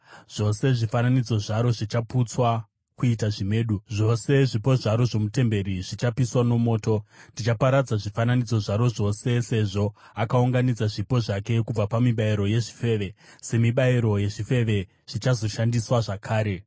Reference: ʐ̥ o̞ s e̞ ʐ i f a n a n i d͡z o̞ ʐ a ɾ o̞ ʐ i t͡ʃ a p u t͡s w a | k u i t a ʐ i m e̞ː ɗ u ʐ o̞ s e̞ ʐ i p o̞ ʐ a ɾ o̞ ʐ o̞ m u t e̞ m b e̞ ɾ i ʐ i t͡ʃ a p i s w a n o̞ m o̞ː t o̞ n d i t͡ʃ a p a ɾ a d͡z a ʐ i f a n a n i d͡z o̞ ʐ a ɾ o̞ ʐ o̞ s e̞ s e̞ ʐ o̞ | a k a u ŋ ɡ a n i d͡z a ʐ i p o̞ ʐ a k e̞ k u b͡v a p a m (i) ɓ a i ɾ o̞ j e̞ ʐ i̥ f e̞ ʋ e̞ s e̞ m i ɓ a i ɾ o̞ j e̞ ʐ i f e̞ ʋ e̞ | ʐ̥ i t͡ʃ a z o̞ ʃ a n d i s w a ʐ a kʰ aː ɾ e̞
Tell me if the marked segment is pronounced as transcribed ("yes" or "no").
yes